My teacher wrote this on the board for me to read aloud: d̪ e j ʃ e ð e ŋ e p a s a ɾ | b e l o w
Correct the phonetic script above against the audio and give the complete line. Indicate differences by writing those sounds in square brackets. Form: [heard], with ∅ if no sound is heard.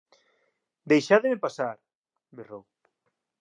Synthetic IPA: d̪ e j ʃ [a] ð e [m] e p a s a ɾ | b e [r] o w

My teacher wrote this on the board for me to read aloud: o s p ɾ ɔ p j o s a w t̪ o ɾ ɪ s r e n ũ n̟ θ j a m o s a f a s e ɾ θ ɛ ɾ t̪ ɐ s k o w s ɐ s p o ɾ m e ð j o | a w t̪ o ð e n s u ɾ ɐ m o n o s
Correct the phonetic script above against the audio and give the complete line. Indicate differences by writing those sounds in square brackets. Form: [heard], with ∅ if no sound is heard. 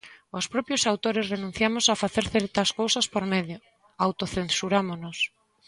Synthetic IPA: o s p ɾ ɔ p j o s a w t̪ o ɾ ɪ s r e n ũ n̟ θ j a m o s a f a [θ] e ɾ θ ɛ ɾ t̪ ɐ s k o w s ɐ s p o ɾ m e ð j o | a w t̪ o [θ] e n s u ɾ [a] m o n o s

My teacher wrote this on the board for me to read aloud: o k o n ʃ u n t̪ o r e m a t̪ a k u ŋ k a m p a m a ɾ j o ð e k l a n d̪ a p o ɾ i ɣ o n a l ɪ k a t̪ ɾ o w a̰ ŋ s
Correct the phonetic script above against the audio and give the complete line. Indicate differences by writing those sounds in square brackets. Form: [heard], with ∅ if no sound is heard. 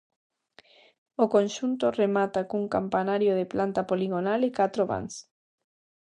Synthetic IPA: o k o n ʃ u n t̪ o r e m a t̪ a k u ŋ k a m p a [n] a ɾ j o ð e [p] l a n [t̪] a p o [l] i ɣ o n a l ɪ k a t̪ ɾ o [β] a̰ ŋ s

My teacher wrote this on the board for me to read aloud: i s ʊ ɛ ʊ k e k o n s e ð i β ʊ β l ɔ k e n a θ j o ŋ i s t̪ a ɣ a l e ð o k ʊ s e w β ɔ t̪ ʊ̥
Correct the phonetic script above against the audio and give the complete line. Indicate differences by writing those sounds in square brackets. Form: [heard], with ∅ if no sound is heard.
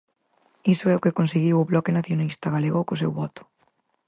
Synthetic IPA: i s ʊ ɛ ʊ k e k o n s e [ɣ] i [w] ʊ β l ɔ k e n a θ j o [n] i s t̪ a ɣ a l e [ɣ] o k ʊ s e w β ɔ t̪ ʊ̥

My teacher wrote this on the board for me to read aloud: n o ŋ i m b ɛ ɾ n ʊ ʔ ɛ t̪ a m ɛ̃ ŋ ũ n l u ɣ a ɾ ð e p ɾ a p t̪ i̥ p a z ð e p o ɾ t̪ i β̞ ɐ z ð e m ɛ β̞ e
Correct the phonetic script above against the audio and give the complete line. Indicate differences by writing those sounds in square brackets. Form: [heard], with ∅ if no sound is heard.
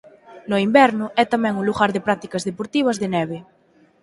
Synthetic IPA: n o [∅] i m b ɛ ɾ n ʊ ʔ ɛ t̪ a m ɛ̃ ŋ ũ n l u ɣ a ɾ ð e p ɾ a [∅] t̪ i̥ [k] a z ð e p o ɾ t̪ i β̞ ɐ z ð e [n] ɛ β̞ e

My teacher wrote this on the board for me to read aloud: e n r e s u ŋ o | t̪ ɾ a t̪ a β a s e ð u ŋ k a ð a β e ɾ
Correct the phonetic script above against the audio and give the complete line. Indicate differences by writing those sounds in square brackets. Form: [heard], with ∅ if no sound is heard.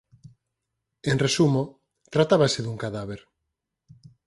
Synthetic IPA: e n r e s u [m] o | t̪ ɾ a t̪ a β a s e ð u ŋ k a ð a β e ɾ

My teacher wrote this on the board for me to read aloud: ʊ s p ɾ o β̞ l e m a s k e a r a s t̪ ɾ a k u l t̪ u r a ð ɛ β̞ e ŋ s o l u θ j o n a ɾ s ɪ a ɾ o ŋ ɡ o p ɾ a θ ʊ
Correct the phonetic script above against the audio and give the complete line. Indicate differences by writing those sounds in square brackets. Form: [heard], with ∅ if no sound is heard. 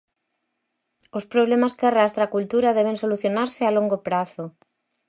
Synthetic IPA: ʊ s p ɾ o β̞ l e m a s k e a r a s t̪ ɾ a k u l t̪ u [ɾ] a ð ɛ β̞ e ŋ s o l u θ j o n a ɾ s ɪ a [l] o ŋ ɡ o p ɾ a θ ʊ

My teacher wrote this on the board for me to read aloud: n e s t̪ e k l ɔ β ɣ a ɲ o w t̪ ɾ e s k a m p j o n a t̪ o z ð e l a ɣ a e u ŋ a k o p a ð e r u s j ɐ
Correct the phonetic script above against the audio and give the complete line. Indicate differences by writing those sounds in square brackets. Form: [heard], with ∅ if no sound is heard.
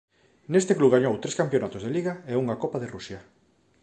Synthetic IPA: n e s t̪ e k l [u] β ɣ a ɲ o w t̪ ɾ e s k a m p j o n a t̪ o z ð e l [i] ɣ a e u ŋ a k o p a ð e r u s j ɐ

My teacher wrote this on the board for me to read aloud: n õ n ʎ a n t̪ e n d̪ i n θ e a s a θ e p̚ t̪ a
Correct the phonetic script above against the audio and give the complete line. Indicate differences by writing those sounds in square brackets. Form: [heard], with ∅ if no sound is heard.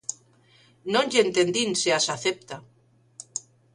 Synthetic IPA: n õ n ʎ [e] n t̪ e n d̪ i n [s] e a s a θ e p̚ t̪ a

